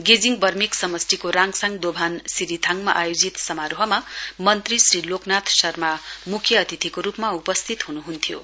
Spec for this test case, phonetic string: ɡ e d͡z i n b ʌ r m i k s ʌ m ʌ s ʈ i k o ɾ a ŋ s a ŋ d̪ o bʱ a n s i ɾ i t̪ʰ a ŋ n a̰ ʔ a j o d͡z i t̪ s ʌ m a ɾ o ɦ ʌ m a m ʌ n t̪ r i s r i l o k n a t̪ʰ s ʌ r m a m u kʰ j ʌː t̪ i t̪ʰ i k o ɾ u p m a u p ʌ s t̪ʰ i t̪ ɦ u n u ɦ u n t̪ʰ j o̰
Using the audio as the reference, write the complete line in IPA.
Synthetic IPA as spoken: ɡ e d͡z i ŋ b ʌ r m i k s ʌ m ʌ s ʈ i k o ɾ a ŋ s a ŋ d̪ o bʱ a n s i ɾ i t̪ʰ a ŋ m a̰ ʔ a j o d͡z i t̪ s ʌ m a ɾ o ɦ ʌ m a m ʌ n t̪ r i s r i l o k n a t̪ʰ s ʌ r m a m u kʰ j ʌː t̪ i t̪ʰ i k o ɾ u p m a u p ʌ s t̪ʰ i t̪ ɦ u n u ɦ u n t̪ʰ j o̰

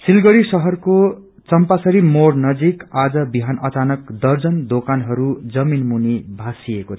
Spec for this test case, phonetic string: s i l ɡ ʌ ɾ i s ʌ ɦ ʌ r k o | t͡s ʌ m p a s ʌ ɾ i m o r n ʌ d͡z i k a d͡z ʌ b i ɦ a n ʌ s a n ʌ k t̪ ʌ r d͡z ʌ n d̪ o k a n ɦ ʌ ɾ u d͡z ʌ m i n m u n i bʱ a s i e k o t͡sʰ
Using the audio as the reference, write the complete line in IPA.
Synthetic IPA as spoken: s i l ɡ ʌ ɾ i s ʌ ɦ ʌ r k o | t͡s ʌ m p a s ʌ ɾ i m o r n ʌ d͡z i k a d͡z ʌ b i ɦ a n ʌ t͡s a n ʌ k d̪ ʌ r d͡z ʌ n d̪ o k a n ɦ ʌ ɾ u d͡z ʌ m i n m u n i bʱ a s i e k o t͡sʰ

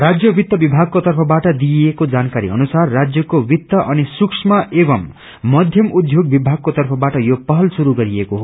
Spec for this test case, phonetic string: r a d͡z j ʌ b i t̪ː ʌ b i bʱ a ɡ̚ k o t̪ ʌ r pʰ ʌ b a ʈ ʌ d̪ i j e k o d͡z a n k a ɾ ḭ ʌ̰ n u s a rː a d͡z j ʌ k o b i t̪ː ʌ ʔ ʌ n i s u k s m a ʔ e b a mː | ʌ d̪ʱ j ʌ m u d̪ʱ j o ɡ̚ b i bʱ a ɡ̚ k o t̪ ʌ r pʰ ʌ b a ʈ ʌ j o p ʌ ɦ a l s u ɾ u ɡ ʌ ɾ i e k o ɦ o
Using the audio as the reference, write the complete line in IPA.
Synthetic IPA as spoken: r a d͡z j ʌ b i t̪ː ʌ b i bʱ a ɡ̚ k o t̪ ʌ r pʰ ʌ b a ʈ ʌ d̪ i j e k o d͡z a n k a ɾ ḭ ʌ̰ n u s a rː a d͡z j ʌ k o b i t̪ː ʌ ʔ ʌ n i s u k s m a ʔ e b ʌ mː | ʌ d̪ʱ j ʌ m u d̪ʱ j o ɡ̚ b i bʱ a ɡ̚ k o t̪ ʌ r pʰ ʌ b a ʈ ʌ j o p ʌ ɦ ʌ l s u ɾ u ɡ ʌ ɾ i e k o ɦ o

